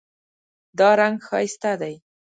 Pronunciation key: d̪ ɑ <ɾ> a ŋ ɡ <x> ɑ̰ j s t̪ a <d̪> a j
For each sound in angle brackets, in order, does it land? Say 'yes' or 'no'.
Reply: yes, yes, yes

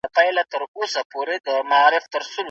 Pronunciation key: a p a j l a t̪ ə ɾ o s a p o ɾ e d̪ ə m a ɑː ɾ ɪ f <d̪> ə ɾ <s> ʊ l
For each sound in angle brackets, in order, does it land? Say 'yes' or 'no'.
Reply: no, yes

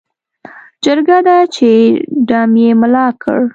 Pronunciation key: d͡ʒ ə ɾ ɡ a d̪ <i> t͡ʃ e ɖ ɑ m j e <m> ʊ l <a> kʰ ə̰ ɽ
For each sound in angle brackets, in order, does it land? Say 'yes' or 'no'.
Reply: no, yes, no

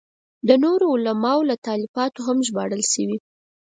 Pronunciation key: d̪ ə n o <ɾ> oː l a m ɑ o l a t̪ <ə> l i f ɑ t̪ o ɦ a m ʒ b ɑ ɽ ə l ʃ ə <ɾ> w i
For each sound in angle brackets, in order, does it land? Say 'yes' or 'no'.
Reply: yes, no, no

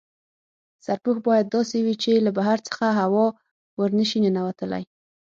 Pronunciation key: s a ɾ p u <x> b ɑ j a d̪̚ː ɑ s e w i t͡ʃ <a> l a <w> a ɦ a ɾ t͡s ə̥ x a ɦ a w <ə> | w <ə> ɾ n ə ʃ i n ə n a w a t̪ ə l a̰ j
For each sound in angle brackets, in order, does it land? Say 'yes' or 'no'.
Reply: yes, no, no, no, yes

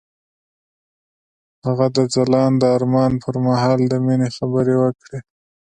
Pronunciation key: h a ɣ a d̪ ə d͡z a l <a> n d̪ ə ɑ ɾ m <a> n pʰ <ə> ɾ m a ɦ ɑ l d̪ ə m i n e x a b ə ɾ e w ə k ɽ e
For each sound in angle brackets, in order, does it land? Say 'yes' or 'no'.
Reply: no, no, yes

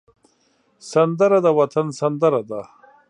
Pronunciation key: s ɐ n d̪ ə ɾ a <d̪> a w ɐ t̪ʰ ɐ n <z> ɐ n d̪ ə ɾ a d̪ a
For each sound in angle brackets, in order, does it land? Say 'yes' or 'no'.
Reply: yes, no

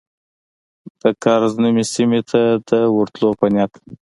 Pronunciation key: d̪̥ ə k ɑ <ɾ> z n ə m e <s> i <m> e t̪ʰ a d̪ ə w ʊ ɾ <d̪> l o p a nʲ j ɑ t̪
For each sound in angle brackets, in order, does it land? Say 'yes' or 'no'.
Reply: yes, yes, yes, no

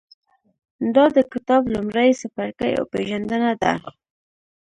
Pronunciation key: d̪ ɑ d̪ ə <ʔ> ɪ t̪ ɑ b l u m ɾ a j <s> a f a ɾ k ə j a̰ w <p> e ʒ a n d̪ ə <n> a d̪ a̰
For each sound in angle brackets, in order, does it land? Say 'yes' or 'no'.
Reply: no, yes, yes, yes

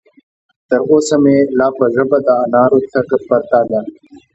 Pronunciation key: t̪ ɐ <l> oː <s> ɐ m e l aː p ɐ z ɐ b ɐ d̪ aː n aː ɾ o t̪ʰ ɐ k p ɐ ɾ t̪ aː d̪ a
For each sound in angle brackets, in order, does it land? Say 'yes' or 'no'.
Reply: no, yes

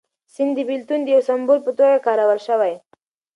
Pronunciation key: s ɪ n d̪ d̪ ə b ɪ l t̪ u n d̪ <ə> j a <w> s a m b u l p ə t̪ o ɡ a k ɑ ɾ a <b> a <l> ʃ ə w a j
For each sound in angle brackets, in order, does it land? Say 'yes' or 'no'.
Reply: yes, yes, no, yes

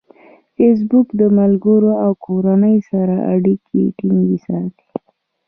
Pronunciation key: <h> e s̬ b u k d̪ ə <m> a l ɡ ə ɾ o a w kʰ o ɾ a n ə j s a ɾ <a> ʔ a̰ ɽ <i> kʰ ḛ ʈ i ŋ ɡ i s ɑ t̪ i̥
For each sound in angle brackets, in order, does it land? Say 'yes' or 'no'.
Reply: no, yes, yes, yes

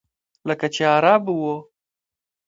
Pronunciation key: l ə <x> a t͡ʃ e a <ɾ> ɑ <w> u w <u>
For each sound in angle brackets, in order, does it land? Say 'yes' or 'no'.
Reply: no, yes, no, no

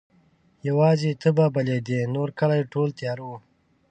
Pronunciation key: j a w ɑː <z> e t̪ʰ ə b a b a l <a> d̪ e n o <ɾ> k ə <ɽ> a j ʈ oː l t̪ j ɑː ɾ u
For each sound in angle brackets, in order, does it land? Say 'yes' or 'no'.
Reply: yes, no, yes, no

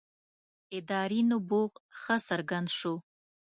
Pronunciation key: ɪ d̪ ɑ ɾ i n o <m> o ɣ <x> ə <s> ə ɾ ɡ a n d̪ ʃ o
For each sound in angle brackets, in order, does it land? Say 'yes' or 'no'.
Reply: no, yes, yes

